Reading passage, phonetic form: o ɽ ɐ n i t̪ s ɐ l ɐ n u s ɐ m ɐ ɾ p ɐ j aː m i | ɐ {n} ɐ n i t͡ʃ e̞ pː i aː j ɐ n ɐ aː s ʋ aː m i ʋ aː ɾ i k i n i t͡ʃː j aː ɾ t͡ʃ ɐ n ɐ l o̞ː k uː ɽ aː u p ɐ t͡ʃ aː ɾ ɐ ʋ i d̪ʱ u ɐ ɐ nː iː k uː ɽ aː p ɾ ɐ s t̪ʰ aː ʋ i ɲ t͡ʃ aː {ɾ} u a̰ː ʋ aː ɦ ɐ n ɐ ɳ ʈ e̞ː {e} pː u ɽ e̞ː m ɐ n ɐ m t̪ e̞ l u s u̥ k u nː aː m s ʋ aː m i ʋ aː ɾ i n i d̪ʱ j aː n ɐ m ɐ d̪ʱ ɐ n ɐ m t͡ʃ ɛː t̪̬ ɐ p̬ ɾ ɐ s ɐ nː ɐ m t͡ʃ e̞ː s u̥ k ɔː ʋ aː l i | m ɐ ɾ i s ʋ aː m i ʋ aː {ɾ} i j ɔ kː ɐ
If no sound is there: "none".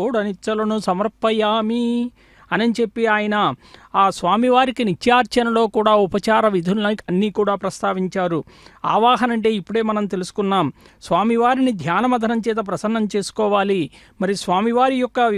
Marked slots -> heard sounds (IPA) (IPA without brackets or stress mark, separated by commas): n, ɾ, i, ɾ